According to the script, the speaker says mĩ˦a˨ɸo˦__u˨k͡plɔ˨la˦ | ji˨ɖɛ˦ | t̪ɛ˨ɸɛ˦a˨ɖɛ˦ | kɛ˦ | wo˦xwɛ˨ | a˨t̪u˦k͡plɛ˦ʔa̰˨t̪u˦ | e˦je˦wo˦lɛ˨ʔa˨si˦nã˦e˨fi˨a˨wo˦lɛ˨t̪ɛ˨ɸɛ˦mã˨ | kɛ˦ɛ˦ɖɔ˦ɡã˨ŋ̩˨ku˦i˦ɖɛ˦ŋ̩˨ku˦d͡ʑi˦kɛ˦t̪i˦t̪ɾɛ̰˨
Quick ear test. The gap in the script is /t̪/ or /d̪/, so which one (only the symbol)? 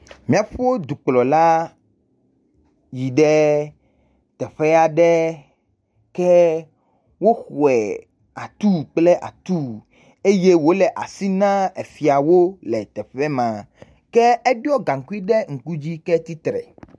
d̪